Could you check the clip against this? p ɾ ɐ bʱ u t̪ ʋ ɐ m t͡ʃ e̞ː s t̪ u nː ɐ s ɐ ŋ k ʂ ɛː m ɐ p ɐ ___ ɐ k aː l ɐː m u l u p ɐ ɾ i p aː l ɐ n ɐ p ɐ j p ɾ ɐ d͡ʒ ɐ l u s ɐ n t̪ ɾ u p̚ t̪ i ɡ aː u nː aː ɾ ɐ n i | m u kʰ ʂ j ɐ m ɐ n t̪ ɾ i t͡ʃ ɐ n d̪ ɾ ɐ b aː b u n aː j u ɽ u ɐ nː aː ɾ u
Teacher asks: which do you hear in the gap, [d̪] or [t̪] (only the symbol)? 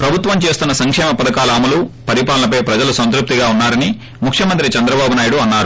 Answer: d̪